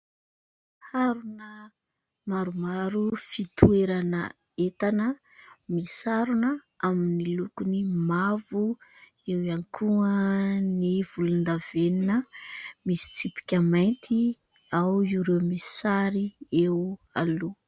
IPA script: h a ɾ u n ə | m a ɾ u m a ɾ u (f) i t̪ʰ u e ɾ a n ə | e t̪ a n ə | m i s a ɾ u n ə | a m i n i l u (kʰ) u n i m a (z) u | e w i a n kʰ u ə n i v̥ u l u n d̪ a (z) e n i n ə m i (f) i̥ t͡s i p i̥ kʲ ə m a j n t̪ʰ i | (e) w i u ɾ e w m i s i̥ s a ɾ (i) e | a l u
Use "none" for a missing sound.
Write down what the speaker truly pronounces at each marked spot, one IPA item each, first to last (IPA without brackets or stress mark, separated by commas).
f, k, v, v, s, a, i